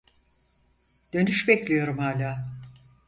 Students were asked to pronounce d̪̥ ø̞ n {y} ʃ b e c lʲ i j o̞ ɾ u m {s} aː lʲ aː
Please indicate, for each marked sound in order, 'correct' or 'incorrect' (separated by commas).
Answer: correct, incorrect